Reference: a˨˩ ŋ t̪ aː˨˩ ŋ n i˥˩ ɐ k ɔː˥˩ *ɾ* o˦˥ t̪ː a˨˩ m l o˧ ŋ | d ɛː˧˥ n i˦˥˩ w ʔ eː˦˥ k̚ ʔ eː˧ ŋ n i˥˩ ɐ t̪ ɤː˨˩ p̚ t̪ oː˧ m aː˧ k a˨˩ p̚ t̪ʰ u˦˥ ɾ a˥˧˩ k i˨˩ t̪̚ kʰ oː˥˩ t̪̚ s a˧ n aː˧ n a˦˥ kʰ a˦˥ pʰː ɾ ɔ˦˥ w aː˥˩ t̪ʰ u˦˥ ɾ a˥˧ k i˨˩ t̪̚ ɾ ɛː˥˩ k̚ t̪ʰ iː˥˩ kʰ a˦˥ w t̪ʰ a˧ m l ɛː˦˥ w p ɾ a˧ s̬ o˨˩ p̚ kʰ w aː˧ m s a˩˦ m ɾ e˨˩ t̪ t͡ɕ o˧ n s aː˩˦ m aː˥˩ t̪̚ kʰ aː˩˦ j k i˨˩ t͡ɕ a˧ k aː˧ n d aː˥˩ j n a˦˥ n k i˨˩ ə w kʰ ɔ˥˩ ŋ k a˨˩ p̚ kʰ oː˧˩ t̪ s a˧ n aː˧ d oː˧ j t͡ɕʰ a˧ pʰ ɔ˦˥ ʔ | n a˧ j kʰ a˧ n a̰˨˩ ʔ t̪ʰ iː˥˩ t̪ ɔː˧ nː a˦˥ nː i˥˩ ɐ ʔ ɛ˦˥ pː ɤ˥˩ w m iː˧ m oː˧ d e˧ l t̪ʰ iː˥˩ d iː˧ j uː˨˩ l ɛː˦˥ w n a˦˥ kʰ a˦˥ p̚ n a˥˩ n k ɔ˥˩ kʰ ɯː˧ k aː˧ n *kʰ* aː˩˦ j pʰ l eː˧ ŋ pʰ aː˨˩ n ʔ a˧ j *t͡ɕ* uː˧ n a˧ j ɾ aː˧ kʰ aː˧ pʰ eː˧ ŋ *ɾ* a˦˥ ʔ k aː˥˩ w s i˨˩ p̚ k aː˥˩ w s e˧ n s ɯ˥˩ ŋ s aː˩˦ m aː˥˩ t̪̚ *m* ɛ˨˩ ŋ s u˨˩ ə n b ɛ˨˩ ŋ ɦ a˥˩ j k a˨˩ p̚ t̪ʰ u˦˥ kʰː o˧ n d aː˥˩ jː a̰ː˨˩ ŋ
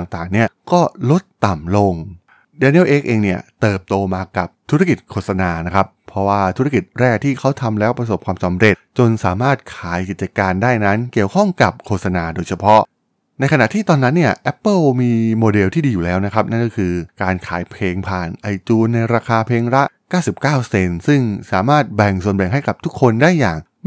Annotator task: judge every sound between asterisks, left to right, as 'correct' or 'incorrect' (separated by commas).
incorrect, correct, correct, correct, incorrect